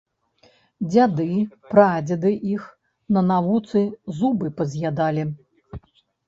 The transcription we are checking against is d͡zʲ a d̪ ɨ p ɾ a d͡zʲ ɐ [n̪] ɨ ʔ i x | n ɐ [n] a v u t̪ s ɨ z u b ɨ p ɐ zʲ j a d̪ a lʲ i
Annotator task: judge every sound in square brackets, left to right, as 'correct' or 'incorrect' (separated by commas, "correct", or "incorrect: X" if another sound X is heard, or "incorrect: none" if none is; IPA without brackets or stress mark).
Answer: incorrect: d̪, correct